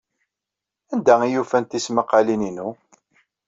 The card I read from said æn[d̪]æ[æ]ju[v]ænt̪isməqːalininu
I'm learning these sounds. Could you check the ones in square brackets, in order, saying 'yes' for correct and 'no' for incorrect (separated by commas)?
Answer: yes, no, no